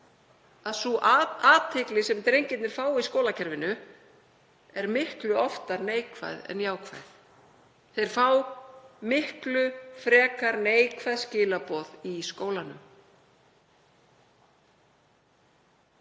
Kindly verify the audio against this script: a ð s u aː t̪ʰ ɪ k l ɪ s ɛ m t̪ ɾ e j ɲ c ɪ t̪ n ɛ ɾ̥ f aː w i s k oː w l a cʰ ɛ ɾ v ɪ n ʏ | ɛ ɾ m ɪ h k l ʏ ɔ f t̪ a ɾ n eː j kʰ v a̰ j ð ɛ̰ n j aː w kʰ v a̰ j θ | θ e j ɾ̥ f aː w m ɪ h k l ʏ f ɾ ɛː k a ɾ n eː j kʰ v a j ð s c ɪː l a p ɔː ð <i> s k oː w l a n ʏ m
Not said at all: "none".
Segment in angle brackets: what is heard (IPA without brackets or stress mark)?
i